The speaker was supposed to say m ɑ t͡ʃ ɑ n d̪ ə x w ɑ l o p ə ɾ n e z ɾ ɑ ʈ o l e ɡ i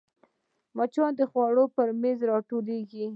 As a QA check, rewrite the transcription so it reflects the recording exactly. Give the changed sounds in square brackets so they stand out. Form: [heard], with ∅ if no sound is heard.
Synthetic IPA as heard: m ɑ t͡ʃ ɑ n d̪ ə x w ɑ [ɽ] o p ə ɾ [m] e z ɾ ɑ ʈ o l e ɡ i

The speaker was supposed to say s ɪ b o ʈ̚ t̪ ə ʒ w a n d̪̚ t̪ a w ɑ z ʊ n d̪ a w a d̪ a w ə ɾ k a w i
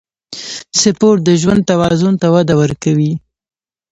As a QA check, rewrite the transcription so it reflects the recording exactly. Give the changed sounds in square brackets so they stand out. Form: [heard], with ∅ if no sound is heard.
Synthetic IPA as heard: s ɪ [p] o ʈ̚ [d̪] ə ʒ w a n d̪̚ t̪ a w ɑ z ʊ n [t̪] a w a d̪ a w ə ɾ k a w i

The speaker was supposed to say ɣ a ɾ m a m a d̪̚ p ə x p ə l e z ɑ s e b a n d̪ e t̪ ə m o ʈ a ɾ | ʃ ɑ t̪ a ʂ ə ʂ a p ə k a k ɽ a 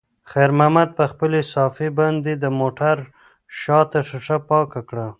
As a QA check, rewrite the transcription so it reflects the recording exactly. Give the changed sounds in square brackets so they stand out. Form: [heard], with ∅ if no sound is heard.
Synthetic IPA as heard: [x] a ɾ m a m a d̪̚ p ə x p ə l e [s] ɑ [f] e b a n d̪ e [d̪] ə m o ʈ a ɾ | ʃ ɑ t̪ a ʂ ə ʂ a p [ɑ] k a k ɽ a

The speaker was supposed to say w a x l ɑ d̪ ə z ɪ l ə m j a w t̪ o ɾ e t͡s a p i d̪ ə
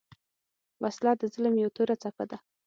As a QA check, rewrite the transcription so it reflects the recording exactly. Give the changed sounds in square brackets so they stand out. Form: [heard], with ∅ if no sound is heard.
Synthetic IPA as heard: w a [s] l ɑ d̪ ə z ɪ l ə m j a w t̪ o ɾ [a] t͡s a p [a] d̪ [a]

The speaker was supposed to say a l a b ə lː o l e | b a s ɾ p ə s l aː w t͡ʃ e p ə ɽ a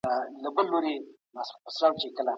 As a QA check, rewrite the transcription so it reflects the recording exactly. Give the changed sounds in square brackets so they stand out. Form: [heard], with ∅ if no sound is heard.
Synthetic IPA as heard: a l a b ə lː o [ɾ] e | [m] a s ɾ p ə s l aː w t͡ʃ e [k] ə [l] a

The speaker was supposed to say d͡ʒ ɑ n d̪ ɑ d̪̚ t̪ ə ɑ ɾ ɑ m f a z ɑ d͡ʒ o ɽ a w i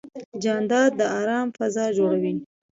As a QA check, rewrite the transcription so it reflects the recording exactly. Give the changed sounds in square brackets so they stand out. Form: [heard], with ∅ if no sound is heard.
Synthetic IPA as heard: d͡ʒ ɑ n d̪ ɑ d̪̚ [d̪] ə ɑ ɾ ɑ m f a z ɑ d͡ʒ o ɽ a w i

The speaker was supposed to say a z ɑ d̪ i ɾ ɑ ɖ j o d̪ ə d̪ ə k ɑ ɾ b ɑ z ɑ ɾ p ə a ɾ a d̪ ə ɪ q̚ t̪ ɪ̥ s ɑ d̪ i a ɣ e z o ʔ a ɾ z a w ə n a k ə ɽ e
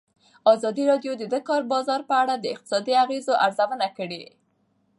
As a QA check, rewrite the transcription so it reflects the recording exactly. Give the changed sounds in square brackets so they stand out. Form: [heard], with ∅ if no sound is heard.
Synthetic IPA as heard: [ɑ] z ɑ d̪ i ɾ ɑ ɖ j o d̪ ə d̪ ə k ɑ ɾ b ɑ z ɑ ɾ p ə a [ɽ] a d̪ ə ɪ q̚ t̪ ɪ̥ s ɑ d̪ i a ɣ e z o ʔ a ɾ z a w ə n a k ə ɽ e

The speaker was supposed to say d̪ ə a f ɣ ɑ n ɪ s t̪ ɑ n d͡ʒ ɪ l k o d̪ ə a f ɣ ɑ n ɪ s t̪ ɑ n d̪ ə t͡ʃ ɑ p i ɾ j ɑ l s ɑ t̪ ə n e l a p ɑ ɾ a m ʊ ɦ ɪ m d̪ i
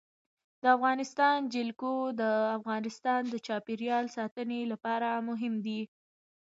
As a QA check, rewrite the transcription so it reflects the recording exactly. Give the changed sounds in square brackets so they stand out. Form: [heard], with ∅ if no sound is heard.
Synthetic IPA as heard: d̪ ə a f ɣ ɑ n ɪ s t̪ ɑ n d͡ʒ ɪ l k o d̪ ə a f ɣ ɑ n ɪ s t̪ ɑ n d̪ ə t͡ʃ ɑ p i ɾ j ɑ l s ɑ t̪ ə n e l a p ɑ ɾ a m ʊ ɦ ɪ m d̪ i

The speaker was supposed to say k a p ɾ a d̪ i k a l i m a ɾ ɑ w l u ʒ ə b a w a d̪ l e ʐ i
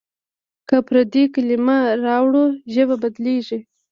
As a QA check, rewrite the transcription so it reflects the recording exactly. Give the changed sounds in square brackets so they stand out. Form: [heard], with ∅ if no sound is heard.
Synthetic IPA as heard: k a p ɾ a d̪ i k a l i m a ɾ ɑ w [ɽ] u ʒ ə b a [b] a d̪ l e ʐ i

